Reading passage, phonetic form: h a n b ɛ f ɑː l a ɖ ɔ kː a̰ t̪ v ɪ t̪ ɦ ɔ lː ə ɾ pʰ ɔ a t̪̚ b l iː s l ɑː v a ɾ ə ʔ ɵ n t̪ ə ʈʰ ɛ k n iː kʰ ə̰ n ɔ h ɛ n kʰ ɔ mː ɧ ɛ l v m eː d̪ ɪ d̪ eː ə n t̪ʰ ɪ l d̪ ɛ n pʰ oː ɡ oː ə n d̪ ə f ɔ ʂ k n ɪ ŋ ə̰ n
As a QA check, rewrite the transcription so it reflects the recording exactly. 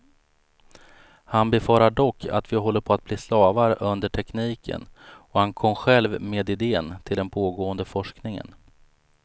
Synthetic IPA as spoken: h a n b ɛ f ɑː ɾ a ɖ ɔ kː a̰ t̪ v ɪ ɦ ɔ lː ə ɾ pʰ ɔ a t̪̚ b l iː s l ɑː v a ɾ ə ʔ ɵ n d̪ ə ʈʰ ɛ k n iː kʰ ə̰ n ɔ h a n kʰ ɔ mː ɧ ɛ l v m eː d̪ ɪ d̪ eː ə n t̪ʰ ɪ l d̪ ɛ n pʰ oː ɡ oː ə n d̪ ə f ɔ ʂ k n ɪ ŋ ə̰ n

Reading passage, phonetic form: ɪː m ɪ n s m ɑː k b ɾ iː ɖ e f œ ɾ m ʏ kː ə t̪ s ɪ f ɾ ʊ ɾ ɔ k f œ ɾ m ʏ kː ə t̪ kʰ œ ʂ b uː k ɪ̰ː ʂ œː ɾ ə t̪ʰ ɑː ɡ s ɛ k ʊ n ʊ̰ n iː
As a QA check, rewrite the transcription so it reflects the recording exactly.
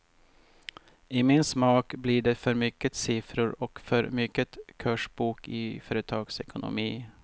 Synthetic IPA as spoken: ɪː m ɪ n s m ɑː k b l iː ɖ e f œ ɾ m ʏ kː ə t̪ s ɪ f ɾ ʊ ɾ ɔ k f œ ɾ m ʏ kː ə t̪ kʰ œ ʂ b uː k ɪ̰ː f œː ɾ ə t̪ʰ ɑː ɡ s ɛ k ʊ n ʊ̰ m iː

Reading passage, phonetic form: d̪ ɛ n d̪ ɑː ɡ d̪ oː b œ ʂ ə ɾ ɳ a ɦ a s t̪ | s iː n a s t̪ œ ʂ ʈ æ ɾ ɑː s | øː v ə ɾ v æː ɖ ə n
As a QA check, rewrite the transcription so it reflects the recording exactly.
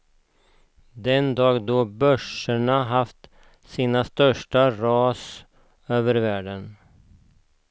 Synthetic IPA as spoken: d̪ ɛ n d̪ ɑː ɡ d̪ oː b œ ʂ ə ɳ a ɦ a f t̪ | s iː n a s t̪ œ ʂ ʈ a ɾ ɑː s | øː v ə ɾ v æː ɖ ə n

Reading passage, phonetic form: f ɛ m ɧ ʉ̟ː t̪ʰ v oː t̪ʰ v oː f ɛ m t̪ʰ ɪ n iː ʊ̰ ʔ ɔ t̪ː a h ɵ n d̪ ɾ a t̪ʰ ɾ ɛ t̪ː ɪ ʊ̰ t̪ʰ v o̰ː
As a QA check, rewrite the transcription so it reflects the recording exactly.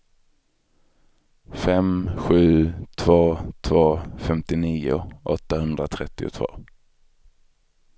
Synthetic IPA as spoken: f ɛ m ɧ ʉ̟ː t̪ʰ v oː t̪ʰ v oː f ɛ m t̪ ɪ n iː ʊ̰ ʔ ɔ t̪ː a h ɵ n d̪ ɾ a t̪ʰ ɾ ɛ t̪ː ɪ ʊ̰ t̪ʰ v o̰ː

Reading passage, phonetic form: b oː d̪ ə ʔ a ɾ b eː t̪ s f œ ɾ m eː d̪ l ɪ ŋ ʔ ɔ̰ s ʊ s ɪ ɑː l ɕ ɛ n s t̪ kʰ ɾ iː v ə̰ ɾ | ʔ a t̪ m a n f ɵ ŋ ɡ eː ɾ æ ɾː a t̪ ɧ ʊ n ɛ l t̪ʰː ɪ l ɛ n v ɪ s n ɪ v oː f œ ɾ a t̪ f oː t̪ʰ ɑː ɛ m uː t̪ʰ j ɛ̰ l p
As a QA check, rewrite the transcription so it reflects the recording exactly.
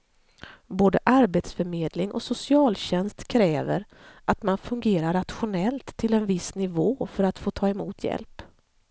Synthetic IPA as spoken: b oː d̪ ə ʔ a ɾ b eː t̪ s f œ ɾ m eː d̪ l ɪ ŋ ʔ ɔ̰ s ʊ s ɪ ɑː l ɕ ɛ n s t̪ kʰ ɾ ɛː v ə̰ ɾ | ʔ a t̪ m a n f ɵ ŋ ɡ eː ɾ a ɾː a t̪ ɧ ʊ n ɛ l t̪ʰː ɪ l ɛ n v ɪ s n ɪ v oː f œ ɾ a t̪ f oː t̪ʰ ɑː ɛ m uː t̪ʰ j ɛ̰ l p

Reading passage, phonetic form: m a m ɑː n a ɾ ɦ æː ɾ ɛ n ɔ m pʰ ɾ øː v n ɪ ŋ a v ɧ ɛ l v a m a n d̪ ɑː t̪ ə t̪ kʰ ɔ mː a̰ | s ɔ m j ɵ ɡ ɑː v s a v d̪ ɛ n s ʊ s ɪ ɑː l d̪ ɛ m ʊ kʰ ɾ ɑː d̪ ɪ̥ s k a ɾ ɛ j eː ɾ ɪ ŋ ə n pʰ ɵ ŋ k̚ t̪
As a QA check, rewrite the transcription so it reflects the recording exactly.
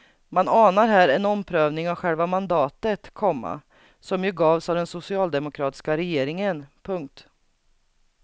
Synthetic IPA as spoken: m a n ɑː n a ɾ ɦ æː ɾ ɛ n ɔ m pʰ ɾ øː v n ɪ ŋ a v ɧ ɛ l v a m a n d̪ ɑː t̪ ə t̪ kʰ ɔ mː a̰ | s ɔ m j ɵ ɡ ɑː v s a v d̪ ɛ n s ʊ s ɪ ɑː l d̪ ɛ m ʊ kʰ ɾ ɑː t̪ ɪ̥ s k a ɾ ɛ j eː ɾ ɪ ŋ ə n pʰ ɵ ŋ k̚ t̪

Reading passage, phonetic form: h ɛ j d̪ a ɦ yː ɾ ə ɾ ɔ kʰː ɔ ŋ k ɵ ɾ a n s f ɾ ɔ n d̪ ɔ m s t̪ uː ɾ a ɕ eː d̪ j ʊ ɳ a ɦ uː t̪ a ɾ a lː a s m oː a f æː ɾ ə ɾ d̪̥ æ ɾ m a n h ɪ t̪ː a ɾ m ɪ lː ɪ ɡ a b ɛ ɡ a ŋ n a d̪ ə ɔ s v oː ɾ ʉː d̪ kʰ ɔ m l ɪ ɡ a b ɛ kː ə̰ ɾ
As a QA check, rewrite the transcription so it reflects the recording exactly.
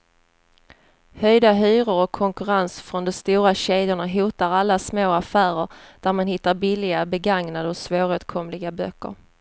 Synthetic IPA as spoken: h œ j d̪ a ɦ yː ɾ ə ɾ ɔ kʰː ɔ ŋ k ɵ ɾ a n s f ɾ ɔ n d̪ ɔ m s t̪ uː ɾ a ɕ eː d̪ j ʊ ɳ a ɦ uː t̪ a ɾ a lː a s m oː a f æː ɾ ə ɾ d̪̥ æ ɾ m a n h ɪ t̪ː a ɾ b ɪ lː ɪ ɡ a b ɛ ɡ a ŋ n a d̪ ə ɔ s v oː ɾ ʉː t̪ kʰ ɔ m l ɪ ɡ a b œ kː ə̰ ɾ

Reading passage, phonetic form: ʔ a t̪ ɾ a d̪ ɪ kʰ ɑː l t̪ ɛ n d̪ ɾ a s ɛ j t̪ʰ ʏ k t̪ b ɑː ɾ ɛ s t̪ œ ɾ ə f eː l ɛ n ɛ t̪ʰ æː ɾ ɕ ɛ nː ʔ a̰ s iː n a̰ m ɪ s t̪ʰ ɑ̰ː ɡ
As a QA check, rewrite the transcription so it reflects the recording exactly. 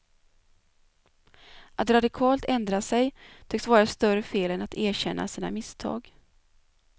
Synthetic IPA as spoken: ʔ a t̪ ɾ a d̪ ɪ kʰ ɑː l t̪ ɛ n d̪ ɾ a s ɛ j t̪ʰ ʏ k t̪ v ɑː ɾ a s t̪ œ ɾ ə f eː l ɛ n a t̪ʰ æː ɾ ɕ ɛ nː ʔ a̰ s iː n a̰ m ɪ s t̪ʰ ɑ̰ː ɡ

